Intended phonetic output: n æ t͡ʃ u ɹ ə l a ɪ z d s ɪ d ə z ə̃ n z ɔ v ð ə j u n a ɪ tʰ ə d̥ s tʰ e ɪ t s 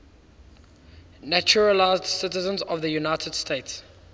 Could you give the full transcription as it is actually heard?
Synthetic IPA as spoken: n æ t͡ʃ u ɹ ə l a ɪ z d s ɪ t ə z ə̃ n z ɔ v ð ə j u n a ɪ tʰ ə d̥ s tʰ e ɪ t s

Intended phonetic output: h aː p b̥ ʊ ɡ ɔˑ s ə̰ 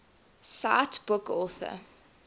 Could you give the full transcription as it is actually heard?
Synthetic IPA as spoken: s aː t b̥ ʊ k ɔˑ θ ə̰

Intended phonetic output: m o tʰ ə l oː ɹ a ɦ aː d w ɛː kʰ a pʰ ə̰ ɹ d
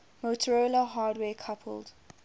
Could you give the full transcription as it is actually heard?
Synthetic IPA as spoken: m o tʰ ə ɹ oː l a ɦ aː d w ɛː kʰ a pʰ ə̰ l d

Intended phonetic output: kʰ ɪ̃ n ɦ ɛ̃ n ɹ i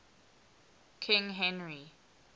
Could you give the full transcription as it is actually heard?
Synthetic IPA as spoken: kʰ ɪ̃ ŋ ɦ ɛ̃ n ɹ i

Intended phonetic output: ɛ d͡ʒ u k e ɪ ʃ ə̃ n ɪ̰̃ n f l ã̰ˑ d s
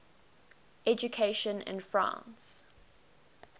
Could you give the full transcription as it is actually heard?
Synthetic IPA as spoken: ɛ d͡ʒ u kʰ e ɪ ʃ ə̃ n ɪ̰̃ n f ɹ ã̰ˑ n s

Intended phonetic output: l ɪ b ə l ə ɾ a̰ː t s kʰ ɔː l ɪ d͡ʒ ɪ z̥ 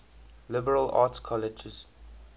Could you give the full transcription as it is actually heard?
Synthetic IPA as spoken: l ɪ b ə ɹ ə l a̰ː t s kʰ ɔ l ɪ d͡ʒ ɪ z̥

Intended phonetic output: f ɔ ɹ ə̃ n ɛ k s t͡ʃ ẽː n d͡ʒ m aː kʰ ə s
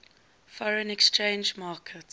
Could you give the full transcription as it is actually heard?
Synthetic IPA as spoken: f ɔ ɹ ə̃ n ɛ k s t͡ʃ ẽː n d͡ʒ m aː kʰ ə t

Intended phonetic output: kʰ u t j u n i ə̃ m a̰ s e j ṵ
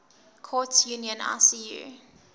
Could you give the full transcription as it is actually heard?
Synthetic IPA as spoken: kʰ ɔ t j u n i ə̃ n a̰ s i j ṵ

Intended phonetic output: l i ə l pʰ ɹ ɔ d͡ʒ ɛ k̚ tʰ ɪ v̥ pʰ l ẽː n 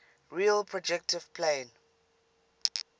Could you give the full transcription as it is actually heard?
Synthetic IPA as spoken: ɹ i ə l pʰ ɹ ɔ d͡ʒ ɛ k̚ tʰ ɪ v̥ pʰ l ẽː n

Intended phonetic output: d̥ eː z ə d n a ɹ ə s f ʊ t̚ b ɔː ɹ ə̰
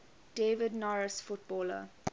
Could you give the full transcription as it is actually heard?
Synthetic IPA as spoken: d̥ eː v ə d n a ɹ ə s f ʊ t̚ b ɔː l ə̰

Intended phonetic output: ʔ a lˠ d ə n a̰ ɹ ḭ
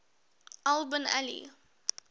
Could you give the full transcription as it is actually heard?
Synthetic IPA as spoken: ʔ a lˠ b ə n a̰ l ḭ

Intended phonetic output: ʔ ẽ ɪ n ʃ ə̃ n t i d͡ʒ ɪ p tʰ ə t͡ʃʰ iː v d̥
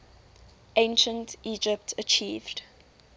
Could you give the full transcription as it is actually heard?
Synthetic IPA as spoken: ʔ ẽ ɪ n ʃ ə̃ n t i d͡ʒ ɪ p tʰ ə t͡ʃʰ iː v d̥

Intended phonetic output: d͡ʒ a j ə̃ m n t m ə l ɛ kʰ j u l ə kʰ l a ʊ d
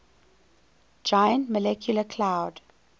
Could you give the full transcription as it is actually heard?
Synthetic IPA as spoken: d͡ʒ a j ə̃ n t m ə l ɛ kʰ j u l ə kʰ l a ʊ d

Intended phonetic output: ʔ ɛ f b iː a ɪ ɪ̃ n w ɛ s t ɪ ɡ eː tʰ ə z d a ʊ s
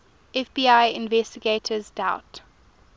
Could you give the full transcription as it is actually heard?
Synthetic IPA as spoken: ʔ ɛ f b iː a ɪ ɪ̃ n v ɛ s t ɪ ɡ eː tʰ ə z d a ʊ t

